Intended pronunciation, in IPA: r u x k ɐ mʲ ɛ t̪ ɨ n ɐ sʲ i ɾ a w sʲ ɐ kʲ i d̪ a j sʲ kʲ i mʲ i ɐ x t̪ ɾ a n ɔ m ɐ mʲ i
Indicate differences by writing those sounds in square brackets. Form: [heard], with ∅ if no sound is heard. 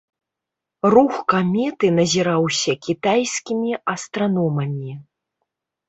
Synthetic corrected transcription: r u x k [a] mʲ ɛ t̪ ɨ n ɐ [zʲ] i ɾ a w sʲ ɐ kʲ i [t̪] a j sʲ kʲ i mʲ i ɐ [s] t̪ ɾ a n ɔ m ɐ mʲ i